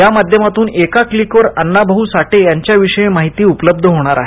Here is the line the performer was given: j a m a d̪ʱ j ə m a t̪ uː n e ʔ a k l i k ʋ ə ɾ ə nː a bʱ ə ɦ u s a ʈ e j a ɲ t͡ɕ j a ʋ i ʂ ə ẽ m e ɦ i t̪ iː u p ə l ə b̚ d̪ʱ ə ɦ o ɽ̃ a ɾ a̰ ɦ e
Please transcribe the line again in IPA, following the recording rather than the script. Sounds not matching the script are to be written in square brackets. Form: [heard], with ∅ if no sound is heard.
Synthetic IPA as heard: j a m a d̪ʱ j ə m a t̪ uː n e [k] a k l i k ʋ ə ɾ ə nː a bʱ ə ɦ u s a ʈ e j a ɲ t͡ɕ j a ʋ i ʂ ə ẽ m [a] ɦ i t̪ iː u p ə l ə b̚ d̪ʱ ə ɦ o ɽ̃ a ɾ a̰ ɦ e